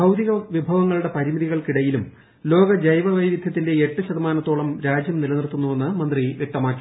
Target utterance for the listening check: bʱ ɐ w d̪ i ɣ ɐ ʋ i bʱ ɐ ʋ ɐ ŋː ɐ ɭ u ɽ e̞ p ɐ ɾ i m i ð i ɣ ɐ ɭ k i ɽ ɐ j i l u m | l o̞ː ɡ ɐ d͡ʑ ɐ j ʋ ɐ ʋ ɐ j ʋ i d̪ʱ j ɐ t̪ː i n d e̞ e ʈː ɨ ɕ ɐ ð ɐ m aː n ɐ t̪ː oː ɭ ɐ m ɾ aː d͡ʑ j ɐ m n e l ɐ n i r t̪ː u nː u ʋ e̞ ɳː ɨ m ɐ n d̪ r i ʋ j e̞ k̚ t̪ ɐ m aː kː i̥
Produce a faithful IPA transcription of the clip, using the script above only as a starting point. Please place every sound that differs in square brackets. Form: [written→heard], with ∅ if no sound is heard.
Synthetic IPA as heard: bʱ ɐ w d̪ i ɣ ɐ ʋ i bʱ ɐ ʋ ɐ ŋː ɐ ɭ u ɽ e̞ p ɐ ɾ i m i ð i ɣ ɐ ɭ k i ɽ ɐ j i l u m | l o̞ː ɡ ɐ d͡ʑ ɐ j ʋ ɐ ʋ ɐ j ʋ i d̪ʱ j ɐ t̪ː i n d e̞ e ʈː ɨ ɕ ɐ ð ɐ m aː n ɐ t̪ː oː ɭ ɐ m ɾ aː d͡ʑ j ɐ m n [e→i] l ɐ n i r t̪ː u nː u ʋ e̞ [ɳː→nː] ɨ m ɐ n d̪ r i ʋ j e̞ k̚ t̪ ɐ m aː kː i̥